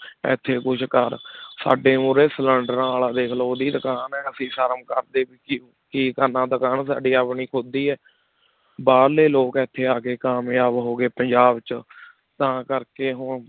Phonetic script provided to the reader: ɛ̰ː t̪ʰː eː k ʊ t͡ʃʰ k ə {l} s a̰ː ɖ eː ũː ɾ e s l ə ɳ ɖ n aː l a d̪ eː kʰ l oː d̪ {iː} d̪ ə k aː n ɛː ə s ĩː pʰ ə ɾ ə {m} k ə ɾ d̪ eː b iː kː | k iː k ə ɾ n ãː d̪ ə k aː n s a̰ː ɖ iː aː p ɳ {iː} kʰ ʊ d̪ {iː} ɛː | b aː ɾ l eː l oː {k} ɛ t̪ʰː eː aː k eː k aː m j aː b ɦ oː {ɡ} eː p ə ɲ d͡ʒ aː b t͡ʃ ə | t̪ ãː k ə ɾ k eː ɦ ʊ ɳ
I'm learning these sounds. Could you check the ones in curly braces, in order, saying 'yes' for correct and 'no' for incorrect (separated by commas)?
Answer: no, yes, yes, yes, yes, yes, yes